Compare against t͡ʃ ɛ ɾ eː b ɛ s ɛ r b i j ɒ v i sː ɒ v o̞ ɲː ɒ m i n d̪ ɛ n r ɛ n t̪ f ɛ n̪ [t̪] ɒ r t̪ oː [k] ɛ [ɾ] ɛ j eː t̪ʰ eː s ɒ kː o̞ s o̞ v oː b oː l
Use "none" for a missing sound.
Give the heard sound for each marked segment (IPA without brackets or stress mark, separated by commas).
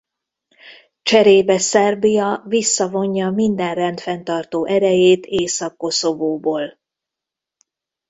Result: t̪, ʔ, ɾ